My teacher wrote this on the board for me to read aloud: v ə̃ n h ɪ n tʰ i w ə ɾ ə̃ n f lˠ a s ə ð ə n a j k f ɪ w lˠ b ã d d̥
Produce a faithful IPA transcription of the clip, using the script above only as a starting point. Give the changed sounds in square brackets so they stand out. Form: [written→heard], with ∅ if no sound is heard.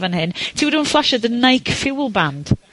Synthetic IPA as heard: v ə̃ n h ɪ n tʰ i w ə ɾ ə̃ n f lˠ a [s→ʃ] ə ð ə n a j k f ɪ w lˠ b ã [d→n] d̥

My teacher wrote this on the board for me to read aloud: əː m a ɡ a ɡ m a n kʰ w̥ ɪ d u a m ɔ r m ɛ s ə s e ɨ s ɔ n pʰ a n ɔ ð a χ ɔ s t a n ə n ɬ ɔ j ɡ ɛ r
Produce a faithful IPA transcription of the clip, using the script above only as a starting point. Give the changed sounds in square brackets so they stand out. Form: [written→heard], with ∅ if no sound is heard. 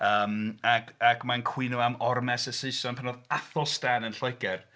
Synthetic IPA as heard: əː m a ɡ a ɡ m a n kʰ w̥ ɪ [d→n] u a m ɔ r m ɛ s ə s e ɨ s ɔ n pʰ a n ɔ ð a [χ→θ] ɔ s t a n ə n ɬ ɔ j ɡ ɛ r

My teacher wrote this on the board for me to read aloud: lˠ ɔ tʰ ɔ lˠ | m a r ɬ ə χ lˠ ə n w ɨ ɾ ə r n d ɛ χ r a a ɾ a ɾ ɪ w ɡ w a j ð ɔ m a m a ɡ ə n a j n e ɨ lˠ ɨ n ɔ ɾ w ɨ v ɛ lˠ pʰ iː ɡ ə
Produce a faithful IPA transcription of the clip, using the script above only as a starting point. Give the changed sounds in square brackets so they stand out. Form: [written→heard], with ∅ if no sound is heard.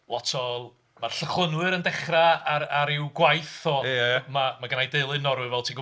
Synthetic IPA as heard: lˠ ɔ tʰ ɔ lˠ | m a r ɬ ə χ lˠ ə n w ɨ ɾ ə [r→∅] n d ɛ χ r a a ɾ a ɾ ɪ w ɡ w a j [ð→θ] ɔ m a m a ɡ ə n a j [n→d] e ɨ lˠ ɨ n ɔ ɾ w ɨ v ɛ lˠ [pʰ→tʰ] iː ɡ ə

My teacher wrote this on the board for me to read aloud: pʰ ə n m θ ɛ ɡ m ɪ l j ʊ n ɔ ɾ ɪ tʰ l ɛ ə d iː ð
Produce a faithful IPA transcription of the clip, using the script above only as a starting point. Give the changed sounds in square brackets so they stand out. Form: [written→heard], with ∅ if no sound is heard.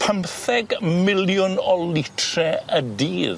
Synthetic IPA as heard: pʰ ə [n→∅] m θ ɛ ɡ m ɪ l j ʊ n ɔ [ɾ→l] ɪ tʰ [l→r] ɛ ə d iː ð

